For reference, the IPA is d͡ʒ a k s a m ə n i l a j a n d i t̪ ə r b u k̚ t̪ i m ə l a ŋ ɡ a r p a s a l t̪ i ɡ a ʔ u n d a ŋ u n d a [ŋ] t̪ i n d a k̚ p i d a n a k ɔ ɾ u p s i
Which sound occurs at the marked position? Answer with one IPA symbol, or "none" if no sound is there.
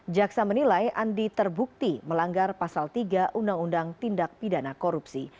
ŋ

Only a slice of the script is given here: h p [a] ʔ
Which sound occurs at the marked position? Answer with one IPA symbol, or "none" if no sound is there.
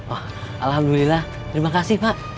a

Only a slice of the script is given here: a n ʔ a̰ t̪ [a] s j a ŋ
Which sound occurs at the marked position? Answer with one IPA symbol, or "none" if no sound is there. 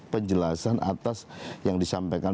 a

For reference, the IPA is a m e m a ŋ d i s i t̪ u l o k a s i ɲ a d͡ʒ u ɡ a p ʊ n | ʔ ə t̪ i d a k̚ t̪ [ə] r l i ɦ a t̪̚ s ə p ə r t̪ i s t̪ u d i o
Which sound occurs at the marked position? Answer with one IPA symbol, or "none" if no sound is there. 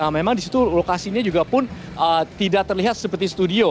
ə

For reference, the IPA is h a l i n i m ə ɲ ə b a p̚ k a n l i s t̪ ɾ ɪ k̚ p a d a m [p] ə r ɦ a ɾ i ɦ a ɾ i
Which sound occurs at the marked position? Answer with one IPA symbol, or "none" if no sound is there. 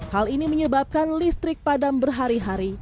b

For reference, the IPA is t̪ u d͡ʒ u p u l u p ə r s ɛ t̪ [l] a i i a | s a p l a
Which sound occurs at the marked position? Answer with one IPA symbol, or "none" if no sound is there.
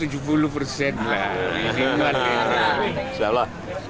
l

